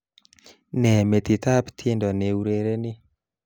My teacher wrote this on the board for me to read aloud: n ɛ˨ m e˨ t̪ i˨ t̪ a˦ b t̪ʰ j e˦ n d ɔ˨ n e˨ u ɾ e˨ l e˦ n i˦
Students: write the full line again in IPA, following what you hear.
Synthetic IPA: n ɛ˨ m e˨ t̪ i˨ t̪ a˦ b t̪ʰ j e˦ n d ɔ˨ n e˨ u ɾ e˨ ɾ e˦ n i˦